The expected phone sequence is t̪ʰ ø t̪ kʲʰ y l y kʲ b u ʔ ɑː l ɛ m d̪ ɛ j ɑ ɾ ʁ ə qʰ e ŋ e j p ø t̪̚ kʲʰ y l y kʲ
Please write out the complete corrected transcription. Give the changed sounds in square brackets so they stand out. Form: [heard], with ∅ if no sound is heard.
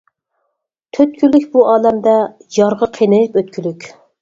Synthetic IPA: t̪ʰ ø t̪ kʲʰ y l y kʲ b u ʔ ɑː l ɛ m d̪ ɛ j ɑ ɾ ʁ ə qʰ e [n] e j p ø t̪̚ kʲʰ y l y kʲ